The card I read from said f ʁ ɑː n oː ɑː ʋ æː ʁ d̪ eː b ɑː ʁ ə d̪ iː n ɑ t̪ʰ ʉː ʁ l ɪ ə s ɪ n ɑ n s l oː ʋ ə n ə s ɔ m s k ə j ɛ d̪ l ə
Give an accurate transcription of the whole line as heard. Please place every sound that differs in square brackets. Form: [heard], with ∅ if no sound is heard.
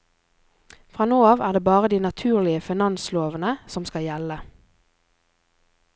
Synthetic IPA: f ʁ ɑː n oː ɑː ʋ æː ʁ d̪ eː b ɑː ʁ ə d̪ iː n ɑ t̪ʰ ʉː ʁ l ɪ ə [f] ɪ n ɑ n s l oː ʋ ə n ə s ɔ m s k [ɑ] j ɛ [∅] l ə